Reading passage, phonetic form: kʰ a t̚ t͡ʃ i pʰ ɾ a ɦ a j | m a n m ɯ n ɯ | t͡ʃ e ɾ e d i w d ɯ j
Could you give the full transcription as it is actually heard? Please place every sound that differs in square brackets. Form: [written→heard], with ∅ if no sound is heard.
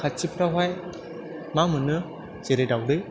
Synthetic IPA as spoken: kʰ a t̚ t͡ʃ i pʰ ɾ a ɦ a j | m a [n→∅] m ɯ n ɯ | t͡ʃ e ɾ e d [i→a] w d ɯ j